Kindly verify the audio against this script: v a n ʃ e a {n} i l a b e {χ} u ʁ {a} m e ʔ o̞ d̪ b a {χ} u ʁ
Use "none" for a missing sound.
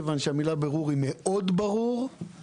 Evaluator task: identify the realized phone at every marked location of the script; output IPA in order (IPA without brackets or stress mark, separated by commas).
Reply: m, ʁ, i, ʁ